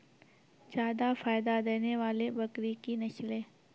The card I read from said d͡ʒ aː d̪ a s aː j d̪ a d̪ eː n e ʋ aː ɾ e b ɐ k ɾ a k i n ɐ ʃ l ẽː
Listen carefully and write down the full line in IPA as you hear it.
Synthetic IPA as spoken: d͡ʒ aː d̪ a f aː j d̪ a d̪ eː n e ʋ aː l e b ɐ k ɾ i k i n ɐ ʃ l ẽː